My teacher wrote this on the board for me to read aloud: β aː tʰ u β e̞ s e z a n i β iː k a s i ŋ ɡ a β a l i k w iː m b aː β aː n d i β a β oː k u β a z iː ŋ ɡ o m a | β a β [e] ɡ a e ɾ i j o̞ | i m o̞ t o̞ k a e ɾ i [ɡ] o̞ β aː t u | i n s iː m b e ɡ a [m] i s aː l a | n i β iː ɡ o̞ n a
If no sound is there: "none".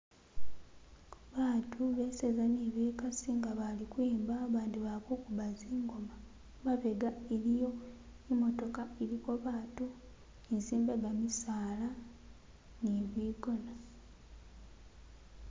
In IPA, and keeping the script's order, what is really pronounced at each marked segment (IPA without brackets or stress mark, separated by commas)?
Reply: e, k, m